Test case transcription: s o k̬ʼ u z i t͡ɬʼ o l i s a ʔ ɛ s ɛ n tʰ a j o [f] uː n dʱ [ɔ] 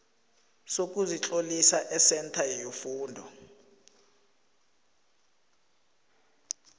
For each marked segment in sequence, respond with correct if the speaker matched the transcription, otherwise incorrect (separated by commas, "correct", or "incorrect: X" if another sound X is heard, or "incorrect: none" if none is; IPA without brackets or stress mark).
correct, correct